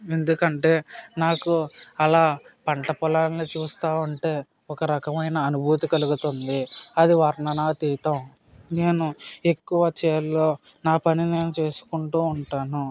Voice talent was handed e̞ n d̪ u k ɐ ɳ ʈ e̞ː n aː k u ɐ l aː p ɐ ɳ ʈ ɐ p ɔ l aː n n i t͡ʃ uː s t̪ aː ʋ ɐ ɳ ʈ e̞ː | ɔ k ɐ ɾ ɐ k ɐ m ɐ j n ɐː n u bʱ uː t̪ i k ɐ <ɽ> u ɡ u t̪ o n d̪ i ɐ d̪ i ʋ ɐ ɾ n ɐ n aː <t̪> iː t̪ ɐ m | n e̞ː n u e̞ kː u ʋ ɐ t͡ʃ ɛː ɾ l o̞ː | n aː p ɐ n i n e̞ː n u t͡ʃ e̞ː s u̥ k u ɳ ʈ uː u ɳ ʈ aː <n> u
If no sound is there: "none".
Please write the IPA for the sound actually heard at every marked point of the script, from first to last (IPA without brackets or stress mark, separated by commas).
l, t̪, n